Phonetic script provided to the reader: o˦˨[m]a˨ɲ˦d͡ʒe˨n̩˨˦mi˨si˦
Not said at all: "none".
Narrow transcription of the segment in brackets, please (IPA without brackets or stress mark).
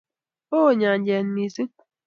ɲ